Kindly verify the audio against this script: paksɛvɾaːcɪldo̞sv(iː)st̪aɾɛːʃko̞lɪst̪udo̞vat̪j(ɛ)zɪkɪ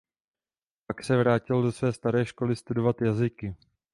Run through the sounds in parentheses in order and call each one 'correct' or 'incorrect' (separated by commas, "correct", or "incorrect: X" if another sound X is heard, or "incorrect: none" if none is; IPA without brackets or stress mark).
incorrect: ɛː, incorrect: a